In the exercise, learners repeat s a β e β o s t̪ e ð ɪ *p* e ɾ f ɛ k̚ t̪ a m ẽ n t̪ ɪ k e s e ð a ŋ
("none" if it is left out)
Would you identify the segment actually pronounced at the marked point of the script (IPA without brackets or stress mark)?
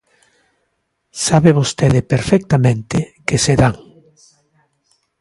p